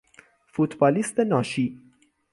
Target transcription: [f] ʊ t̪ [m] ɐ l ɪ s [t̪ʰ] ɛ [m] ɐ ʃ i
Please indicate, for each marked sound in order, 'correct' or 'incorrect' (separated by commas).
correct, incorrect, incorrect, incorrect